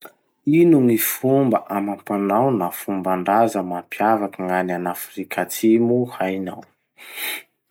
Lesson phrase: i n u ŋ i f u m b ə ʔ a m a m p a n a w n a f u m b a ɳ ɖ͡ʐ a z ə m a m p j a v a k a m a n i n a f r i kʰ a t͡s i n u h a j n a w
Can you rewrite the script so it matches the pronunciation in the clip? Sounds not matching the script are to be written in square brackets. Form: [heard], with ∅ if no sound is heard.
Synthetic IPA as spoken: i n u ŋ i f u m b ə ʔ a m a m p a n a w n a f u m b a ɳ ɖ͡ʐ a z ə m a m p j a v a k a [ŋ] a n [a] n a f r i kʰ a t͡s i [m] u h a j n a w